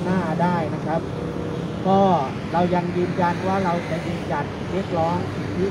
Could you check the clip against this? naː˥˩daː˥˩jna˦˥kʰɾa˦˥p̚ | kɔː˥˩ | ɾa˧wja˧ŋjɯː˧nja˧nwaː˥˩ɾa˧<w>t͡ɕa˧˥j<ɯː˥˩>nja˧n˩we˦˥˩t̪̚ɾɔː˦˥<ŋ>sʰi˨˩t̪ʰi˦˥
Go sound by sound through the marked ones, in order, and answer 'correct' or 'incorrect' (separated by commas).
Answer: correct, incorrect, correct